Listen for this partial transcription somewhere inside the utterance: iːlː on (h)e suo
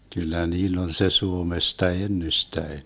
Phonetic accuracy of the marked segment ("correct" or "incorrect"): incorrect